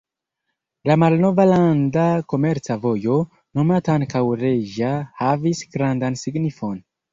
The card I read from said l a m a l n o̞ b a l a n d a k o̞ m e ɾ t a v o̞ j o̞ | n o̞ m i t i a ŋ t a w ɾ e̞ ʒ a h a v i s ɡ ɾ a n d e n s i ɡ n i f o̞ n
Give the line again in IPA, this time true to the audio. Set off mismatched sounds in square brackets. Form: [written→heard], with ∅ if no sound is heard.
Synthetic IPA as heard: l a m a l n o̞ [b→v] a l a n d a k o̞ m e ɾ [t→t͡s] a v o̞ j o̞ | n o̞ m [i→a] t [i→a] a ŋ [t→k] a w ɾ e̞ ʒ a h a v i s ɡ ɾ a n d [e→a] n s i ɡ n i f o̞ n